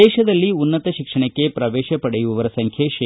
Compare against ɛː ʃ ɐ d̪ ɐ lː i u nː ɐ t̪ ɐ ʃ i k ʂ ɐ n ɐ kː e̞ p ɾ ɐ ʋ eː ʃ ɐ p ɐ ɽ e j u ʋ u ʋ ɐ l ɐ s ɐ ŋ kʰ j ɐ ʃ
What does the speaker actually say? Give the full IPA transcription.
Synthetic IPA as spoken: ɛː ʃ ɐ d̪ ɐ lː i u nː ɐ t̪ ɐ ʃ i k ʂ ɐ ɳ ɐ kː e̞ p ɾ ɐ ʋ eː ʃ ɐ p ɐ ɽ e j u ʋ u ʋ ɐ ɾ ɐ s ɐ ŋ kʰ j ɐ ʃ